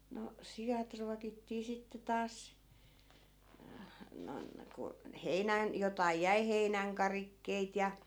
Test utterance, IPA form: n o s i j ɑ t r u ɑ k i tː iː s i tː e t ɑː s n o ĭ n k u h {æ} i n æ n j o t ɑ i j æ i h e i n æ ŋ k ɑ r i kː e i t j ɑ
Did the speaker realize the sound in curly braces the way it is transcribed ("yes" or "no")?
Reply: no